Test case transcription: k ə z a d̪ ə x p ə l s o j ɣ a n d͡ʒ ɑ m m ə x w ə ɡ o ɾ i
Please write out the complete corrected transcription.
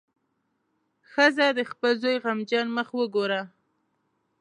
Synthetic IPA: x ə z a d̪ ə x p ə l z o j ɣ a m d͡ʒ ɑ n m ə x w ə ɡ o ɾ a